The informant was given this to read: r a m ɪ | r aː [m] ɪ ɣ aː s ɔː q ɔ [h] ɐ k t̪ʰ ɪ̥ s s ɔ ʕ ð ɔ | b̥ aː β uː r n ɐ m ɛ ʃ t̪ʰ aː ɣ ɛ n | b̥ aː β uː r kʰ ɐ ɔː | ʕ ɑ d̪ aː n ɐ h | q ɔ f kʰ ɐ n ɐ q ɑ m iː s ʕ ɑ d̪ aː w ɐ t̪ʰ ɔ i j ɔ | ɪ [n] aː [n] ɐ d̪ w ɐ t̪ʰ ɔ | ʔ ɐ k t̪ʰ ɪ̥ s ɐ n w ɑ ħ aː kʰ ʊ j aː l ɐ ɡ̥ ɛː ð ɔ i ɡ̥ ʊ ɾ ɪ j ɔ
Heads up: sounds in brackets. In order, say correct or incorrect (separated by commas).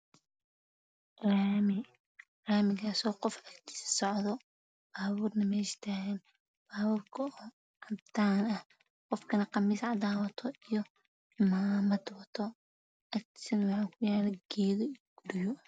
correct, incorrect, incorrect, incorrect